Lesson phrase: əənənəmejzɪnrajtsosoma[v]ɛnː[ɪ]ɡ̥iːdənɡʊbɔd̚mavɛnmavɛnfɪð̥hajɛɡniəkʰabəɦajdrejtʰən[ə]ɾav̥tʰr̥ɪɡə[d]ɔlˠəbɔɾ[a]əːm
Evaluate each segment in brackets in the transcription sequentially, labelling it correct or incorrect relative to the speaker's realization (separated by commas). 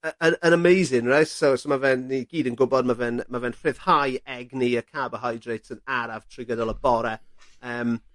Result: correct, incorrect, incorrect, correct, incorrect